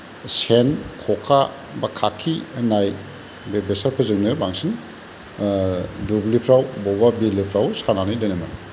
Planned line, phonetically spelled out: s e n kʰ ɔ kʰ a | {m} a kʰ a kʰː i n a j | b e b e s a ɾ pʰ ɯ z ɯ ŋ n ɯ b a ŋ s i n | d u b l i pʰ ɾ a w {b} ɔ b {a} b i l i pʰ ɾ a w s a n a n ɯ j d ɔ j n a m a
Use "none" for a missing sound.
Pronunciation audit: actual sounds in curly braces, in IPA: b, b, a

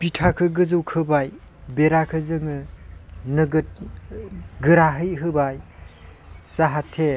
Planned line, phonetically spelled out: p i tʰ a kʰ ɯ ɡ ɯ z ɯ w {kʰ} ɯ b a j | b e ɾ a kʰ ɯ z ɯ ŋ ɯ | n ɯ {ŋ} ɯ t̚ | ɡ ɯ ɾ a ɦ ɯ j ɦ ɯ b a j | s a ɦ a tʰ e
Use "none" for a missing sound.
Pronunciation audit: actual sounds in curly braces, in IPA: kʰ, ɡ

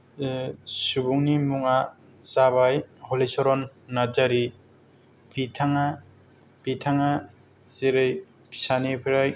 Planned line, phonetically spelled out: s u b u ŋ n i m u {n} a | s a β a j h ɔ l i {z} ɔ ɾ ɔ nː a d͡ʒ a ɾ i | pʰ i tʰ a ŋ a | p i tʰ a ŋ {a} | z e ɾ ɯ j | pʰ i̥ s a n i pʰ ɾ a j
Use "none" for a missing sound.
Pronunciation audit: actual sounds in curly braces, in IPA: ŋ, s, a

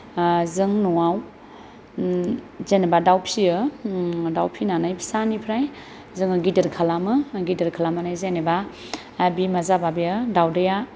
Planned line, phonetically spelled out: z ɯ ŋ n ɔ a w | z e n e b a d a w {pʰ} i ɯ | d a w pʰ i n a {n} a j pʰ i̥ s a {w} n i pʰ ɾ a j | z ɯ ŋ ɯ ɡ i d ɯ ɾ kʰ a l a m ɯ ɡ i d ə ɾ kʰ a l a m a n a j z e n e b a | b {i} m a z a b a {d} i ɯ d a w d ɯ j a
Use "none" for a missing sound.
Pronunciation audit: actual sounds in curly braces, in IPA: pʰ, n, none, i, b

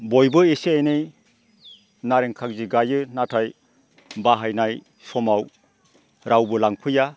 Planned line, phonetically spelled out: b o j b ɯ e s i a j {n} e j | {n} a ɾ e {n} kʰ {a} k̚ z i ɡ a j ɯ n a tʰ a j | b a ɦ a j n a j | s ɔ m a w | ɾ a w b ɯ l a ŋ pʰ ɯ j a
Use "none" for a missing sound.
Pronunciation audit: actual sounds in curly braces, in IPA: n, n, ŋ, a

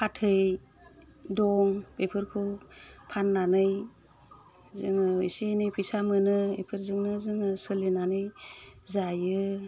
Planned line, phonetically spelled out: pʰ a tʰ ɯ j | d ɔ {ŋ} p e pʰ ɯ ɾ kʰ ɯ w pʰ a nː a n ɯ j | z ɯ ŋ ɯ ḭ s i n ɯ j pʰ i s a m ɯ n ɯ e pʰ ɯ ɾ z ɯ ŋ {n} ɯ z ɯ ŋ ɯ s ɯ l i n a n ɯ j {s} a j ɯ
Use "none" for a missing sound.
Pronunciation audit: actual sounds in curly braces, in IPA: ŋ, n, z

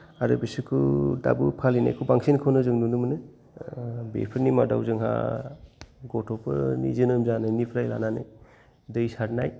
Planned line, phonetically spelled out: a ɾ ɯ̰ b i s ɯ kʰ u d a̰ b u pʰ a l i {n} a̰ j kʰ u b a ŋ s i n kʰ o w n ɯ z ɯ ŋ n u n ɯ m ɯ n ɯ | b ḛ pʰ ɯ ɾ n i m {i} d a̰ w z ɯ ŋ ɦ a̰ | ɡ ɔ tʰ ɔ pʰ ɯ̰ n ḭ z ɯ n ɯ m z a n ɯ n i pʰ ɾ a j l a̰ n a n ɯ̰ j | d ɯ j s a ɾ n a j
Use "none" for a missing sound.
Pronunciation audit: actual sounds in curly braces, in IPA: n, a

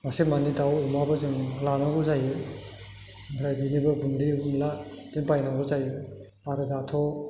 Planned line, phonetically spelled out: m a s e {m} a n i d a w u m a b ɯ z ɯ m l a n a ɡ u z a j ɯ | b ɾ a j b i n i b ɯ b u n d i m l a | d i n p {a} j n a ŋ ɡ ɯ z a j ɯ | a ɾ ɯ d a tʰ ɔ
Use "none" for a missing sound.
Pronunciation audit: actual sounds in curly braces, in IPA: m, a

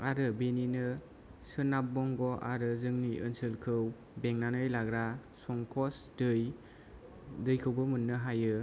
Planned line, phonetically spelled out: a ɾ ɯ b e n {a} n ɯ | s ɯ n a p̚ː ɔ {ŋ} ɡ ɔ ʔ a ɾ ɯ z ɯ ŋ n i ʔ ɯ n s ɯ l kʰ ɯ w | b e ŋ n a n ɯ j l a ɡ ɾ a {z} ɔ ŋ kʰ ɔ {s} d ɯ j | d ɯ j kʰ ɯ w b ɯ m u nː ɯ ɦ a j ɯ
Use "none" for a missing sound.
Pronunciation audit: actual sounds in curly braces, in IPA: i, ŋ, s, s

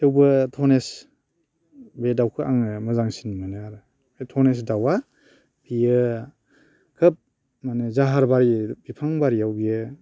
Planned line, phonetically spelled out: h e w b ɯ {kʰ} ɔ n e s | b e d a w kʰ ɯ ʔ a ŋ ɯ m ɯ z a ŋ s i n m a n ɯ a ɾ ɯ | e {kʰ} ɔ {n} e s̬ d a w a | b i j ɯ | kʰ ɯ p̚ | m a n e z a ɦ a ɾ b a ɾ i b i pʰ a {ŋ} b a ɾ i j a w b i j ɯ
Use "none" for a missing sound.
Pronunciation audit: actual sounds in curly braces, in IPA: tʰ, tʰ, n, ŋ

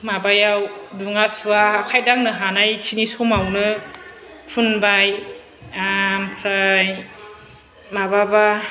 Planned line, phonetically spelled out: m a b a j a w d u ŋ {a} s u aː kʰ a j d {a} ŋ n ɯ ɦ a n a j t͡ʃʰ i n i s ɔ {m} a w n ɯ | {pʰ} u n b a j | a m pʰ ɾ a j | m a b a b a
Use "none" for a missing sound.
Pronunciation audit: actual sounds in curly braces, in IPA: a, a, m, pʰ

